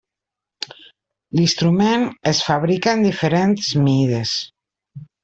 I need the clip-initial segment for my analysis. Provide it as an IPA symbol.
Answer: l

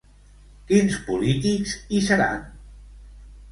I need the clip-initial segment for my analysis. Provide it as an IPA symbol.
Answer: k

